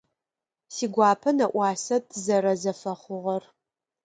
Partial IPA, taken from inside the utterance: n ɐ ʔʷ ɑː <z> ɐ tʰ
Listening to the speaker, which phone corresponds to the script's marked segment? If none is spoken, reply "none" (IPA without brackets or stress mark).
s